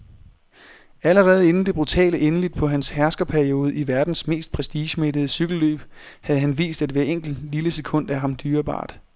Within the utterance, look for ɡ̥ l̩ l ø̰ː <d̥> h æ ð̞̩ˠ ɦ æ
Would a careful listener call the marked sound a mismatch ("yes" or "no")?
yes